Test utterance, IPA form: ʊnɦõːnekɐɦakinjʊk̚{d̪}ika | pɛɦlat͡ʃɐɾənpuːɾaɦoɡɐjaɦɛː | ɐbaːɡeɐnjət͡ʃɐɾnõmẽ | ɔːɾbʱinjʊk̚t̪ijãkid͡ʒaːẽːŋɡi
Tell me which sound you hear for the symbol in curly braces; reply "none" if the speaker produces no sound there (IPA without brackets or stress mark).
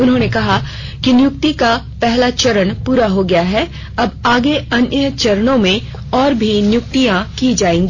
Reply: t̪